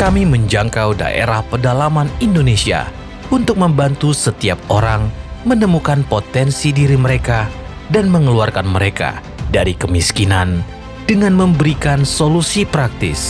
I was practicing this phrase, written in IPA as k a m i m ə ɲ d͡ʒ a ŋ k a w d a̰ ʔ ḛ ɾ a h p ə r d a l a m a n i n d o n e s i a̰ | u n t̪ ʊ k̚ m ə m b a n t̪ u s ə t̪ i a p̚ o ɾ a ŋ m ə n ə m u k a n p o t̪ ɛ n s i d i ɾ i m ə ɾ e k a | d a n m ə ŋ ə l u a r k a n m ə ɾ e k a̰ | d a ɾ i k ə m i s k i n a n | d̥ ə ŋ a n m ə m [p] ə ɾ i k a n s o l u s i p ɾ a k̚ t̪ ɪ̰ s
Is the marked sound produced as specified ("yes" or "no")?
no